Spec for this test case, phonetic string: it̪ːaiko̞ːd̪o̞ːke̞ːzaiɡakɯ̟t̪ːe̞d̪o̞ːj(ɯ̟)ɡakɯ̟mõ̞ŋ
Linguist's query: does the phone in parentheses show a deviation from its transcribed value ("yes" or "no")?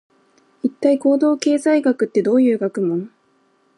yes